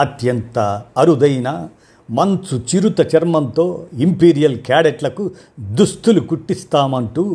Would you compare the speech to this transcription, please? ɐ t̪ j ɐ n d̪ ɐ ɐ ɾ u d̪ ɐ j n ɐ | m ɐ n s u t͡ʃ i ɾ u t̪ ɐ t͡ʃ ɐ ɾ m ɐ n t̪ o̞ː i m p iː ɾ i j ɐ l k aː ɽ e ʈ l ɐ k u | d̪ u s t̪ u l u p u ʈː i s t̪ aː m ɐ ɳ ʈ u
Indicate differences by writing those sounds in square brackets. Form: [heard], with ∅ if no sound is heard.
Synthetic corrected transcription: ɐ t̪ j ɐ n [t̪] ɐ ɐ ɾ u d̪ ɐ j n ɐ | m ɐ n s u t͡ʃ i ɾ u t̪ ɐ t͡ʃ ɐ ɾ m ɐ n t̪ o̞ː i m p iː ɾ i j ɐ l k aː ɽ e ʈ l ɐ k u | d̪ u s t̪ u l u [k] u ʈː i s t̪ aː m ɐ ɳ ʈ u